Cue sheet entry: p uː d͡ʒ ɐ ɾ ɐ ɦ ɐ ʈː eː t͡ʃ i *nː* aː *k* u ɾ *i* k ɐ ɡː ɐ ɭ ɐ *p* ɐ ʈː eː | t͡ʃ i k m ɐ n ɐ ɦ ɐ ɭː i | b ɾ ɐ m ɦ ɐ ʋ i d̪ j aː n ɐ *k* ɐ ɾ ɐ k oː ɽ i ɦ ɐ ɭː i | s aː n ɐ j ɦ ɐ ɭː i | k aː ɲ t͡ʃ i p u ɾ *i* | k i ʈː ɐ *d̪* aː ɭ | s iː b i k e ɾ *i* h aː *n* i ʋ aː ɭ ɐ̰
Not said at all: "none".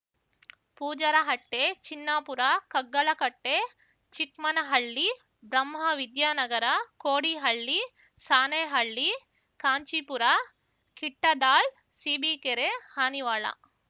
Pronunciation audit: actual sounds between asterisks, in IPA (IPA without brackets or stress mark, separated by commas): nː, p, a, k, ɡ, a, d̪, e, n